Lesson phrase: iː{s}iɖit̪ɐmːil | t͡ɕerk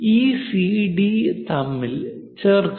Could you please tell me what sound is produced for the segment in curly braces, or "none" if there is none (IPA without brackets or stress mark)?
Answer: s